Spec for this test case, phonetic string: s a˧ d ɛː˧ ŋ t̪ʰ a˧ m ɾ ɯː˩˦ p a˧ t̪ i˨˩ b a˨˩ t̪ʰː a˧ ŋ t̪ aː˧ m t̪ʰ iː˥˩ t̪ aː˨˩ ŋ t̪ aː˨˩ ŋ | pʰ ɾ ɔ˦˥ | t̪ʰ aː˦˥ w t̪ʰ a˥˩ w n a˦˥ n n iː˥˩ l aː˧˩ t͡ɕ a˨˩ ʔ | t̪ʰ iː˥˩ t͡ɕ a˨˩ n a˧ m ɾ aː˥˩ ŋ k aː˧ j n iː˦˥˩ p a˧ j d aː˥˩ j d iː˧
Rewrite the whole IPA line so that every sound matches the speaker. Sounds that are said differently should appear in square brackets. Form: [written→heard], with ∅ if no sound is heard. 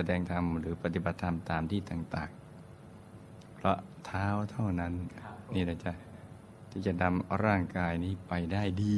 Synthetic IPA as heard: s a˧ d ɛː˧ ŋ t̪ʰ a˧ m ɾ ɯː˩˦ p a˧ t̪ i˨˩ b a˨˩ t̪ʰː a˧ [ŋ→m] t̪ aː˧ m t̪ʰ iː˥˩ t̪ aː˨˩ ŋ t̪ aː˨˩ ŋ | pʰ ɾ ɔ˦˥ | t̪ʰ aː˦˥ w t̪ʰ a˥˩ w n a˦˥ n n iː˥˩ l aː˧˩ t͡ɕ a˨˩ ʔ | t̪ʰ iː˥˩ t͡ɕ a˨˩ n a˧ m ɾ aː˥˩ ŋ k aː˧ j n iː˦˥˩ p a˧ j d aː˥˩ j d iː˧